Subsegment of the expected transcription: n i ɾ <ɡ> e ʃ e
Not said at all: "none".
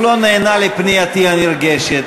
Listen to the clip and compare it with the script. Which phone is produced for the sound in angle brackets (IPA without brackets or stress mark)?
ɡ